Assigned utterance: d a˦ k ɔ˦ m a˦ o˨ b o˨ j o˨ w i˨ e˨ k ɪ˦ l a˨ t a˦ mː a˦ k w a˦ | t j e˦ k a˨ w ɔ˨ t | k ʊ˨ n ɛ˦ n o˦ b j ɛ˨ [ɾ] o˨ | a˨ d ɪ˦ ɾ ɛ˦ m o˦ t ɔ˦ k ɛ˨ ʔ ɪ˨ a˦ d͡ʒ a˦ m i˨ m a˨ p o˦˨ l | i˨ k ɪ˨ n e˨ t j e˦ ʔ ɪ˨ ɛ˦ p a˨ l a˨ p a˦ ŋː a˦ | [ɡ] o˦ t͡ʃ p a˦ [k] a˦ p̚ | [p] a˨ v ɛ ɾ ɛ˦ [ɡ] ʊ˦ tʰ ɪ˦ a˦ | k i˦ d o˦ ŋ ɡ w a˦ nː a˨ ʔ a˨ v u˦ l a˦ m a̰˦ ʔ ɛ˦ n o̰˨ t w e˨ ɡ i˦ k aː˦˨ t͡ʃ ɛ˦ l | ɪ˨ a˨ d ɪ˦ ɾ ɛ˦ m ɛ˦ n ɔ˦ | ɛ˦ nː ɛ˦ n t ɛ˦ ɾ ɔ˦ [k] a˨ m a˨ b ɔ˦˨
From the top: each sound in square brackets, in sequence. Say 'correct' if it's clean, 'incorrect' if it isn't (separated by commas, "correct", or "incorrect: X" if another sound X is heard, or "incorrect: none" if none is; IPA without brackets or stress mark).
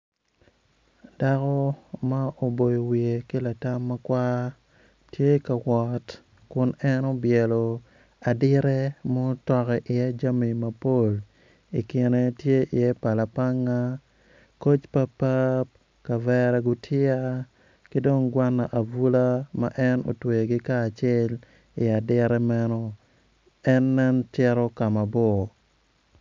incorrect: l, incorrect: k, incorrect: p, incorrect: k, correct, correct